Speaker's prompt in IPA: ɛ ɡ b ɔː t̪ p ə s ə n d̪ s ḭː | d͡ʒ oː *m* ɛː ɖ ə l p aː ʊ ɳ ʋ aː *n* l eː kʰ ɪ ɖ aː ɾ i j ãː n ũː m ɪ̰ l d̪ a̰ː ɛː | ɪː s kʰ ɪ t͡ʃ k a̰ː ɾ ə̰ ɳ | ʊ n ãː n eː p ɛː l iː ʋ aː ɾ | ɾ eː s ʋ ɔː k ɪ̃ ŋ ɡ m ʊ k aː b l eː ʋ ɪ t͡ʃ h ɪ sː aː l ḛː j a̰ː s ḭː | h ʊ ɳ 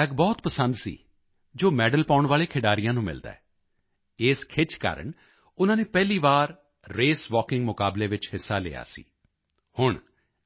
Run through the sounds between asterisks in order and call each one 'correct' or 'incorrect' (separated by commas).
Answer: correct, incorrect